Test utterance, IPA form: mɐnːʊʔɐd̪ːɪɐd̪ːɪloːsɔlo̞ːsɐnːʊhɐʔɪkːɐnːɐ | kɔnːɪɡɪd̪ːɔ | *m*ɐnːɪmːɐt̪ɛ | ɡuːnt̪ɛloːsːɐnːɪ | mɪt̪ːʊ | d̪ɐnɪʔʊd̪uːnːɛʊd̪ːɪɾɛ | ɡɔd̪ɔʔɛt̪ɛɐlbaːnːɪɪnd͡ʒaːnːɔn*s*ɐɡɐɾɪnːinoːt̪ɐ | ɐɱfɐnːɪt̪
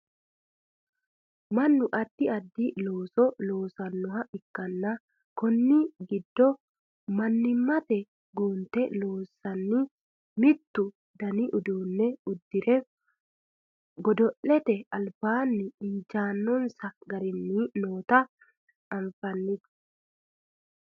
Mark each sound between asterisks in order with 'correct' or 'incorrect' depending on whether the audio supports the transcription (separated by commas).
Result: correct, correct